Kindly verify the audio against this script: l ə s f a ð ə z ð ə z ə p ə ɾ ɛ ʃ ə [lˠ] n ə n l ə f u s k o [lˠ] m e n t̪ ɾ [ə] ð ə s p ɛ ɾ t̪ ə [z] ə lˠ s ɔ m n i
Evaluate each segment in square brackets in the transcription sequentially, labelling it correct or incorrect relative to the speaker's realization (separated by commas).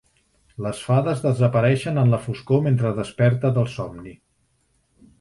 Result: incorrect, incorrect, correct, incorrect